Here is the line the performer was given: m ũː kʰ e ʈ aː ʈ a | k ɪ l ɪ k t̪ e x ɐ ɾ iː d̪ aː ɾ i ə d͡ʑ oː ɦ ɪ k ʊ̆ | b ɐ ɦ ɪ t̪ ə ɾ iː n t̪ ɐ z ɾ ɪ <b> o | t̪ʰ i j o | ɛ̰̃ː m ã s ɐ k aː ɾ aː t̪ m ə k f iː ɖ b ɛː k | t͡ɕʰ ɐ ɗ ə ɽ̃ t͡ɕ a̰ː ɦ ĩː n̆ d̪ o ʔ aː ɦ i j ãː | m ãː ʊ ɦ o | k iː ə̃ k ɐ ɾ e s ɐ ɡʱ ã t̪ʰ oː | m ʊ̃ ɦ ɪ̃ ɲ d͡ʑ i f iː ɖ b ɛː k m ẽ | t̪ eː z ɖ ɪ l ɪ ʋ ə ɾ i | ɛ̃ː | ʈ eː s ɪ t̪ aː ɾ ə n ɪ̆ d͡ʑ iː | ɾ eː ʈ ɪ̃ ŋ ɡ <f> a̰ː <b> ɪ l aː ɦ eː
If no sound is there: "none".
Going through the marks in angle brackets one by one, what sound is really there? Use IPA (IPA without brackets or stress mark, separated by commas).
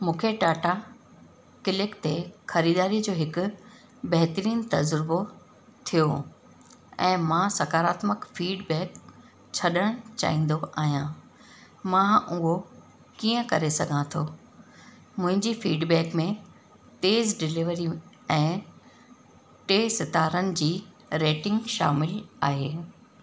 b, ʃ, m